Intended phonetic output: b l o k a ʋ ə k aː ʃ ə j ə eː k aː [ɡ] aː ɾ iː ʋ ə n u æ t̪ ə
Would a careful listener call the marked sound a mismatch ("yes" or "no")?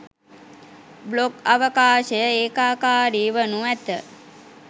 yes